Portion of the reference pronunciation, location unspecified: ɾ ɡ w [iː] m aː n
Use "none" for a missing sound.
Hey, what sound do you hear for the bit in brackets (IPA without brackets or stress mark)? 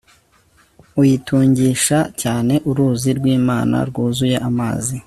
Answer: iː